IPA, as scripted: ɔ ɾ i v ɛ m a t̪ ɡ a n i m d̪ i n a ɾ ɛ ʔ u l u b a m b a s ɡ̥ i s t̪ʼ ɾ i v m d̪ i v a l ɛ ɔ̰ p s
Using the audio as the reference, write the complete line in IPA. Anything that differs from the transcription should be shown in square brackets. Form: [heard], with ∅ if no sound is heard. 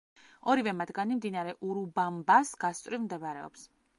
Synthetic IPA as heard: ɔ ɾ i v ɛ m a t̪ ɡ a n i m d̪ i n a ɾ ɛ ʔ u [ɾ] u b a m b a s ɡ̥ [a] s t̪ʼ ɾ i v m d̪ [ɛ] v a [ɾ] ɛ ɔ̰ p s